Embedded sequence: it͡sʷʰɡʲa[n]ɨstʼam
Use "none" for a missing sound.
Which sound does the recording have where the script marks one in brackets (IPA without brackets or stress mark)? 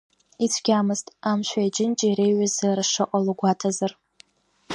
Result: m